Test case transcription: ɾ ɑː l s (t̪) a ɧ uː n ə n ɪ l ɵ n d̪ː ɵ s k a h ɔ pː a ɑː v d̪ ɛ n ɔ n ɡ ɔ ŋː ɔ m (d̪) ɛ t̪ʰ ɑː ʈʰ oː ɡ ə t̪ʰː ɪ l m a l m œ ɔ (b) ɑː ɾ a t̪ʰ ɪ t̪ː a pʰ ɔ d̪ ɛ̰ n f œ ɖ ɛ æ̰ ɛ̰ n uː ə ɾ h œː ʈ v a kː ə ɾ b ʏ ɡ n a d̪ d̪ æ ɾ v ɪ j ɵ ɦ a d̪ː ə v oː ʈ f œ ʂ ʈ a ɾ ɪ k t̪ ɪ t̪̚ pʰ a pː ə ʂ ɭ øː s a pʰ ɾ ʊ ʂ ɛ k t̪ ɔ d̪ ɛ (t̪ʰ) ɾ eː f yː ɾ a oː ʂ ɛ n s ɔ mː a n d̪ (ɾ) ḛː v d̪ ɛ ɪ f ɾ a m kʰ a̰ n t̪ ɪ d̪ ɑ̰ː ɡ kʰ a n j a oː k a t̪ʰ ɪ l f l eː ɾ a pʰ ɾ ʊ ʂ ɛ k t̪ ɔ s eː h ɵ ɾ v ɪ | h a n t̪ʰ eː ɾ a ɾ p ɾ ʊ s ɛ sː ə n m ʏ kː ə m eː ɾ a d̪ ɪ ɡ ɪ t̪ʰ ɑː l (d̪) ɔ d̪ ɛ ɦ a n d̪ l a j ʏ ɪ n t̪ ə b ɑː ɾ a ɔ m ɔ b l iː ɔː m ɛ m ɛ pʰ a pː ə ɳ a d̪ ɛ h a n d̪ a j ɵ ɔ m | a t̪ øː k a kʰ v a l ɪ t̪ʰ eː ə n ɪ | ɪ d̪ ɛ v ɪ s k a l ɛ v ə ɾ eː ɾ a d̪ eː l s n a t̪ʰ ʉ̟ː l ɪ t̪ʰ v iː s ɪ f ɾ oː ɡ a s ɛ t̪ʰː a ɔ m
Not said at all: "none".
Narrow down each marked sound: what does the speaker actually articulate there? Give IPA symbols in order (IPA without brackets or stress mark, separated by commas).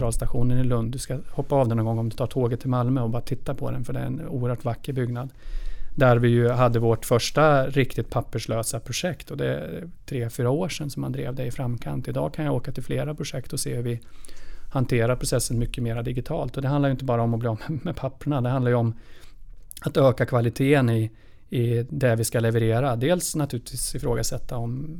t̪, d̪, b, t̪ʰ, ɾ, t̪